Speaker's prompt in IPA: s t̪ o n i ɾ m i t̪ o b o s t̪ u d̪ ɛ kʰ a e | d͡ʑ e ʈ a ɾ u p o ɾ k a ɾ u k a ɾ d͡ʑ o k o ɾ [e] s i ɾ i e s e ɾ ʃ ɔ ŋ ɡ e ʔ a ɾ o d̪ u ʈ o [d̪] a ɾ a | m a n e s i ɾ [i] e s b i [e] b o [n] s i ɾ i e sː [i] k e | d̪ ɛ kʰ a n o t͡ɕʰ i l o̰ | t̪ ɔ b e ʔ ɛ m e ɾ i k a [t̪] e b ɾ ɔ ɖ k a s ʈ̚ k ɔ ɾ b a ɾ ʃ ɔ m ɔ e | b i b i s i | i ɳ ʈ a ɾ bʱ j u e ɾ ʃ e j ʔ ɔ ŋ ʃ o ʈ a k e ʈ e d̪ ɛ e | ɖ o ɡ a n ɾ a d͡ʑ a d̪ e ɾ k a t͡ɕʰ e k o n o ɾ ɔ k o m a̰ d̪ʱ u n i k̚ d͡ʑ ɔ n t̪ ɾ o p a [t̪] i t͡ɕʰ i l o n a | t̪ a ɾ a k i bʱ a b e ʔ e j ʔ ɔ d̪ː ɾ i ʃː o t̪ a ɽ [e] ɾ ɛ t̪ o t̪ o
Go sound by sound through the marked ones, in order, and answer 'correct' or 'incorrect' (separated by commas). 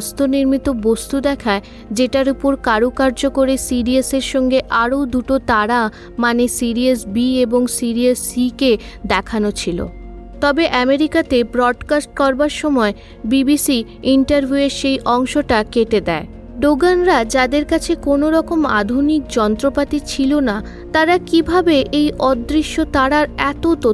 correct, incorrect, correct, correct, incorrect, correct, correct, correct, incorrect